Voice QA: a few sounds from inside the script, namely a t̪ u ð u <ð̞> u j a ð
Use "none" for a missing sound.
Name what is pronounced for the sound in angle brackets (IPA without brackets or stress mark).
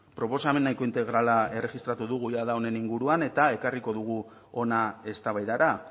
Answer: ɣ̞